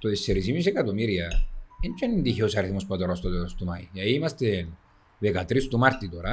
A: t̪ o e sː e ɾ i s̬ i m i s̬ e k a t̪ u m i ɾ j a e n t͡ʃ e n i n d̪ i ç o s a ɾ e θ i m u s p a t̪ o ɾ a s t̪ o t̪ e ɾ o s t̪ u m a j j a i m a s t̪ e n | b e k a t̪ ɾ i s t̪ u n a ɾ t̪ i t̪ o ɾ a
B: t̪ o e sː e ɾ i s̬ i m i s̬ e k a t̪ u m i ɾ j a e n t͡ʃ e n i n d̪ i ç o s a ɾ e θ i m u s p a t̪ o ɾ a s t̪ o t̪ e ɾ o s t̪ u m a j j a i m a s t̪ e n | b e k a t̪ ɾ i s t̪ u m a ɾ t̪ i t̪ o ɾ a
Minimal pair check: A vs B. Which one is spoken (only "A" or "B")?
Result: B